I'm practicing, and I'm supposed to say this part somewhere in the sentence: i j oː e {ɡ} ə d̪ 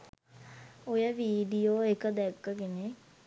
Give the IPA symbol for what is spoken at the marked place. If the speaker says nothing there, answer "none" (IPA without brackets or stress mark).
k